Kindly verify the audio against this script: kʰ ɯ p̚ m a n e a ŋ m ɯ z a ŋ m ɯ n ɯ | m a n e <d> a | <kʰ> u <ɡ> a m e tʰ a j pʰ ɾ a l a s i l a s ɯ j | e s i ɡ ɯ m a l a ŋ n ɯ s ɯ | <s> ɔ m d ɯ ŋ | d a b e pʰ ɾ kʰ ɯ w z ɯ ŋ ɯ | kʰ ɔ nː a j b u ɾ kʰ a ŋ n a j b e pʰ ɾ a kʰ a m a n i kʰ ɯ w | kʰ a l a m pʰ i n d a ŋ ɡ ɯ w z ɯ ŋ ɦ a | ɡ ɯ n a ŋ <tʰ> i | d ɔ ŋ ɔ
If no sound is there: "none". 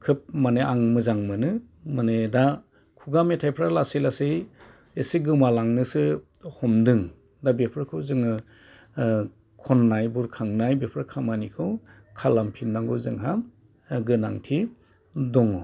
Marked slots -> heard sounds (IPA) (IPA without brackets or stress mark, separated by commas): d, kʰ, ɡ, h, tʰ